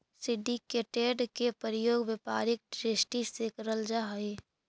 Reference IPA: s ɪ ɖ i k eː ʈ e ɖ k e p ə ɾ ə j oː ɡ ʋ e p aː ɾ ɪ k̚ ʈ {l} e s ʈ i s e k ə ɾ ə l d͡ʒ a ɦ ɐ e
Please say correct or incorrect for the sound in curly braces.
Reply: incorrect: ɾ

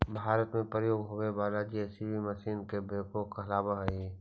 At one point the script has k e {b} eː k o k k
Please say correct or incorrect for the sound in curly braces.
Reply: correct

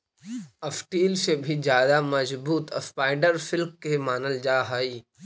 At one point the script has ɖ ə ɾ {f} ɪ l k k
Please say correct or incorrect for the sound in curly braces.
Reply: correct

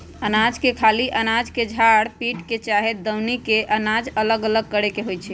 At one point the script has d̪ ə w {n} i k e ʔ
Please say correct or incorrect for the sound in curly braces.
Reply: correct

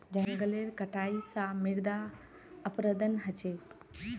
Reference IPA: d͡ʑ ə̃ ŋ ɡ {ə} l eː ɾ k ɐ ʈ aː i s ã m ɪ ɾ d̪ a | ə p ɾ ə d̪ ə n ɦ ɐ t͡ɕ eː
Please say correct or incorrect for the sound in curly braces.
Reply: correct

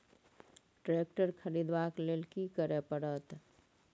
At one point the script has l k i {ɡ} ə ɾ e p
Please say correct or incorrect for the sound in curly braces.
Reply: incorrect: k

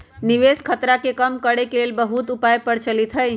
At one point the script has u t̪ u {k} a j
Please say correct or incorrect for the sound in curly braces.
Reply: incorrect: p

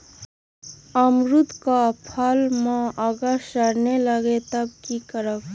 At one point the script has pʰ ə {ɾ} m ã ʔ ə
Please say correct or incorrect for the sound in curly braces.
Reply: incorrect: l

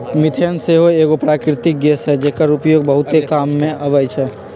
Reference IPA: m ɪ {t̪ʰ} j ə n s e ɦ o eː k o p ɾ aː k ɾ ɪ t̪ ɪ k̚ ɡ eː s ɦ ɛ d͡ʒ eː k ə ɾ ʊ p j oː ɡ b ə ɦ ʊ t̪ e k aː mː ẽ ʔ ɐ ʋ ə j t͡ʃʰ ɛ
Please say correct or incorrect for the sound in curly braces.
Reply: correct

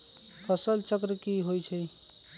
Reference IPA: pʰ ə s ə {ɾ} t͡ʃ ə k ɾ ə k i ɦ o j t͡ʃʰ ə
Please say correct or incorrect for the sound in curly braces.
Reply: incorrect: l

